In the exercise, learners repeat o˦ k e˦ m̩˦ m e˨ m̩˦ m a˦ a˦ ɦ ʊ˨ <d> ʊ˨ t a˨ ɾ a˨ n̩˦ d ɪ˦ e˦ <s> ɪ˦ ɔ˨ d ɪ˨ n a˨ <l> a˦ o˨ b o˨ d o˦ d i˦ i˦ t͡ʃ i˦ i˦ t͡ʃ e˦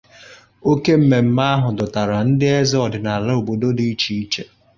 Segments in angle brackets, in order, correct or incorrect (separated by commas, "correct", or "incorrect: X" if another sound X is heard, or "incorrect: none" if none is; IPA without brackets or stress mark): correct, incorrect: z, correct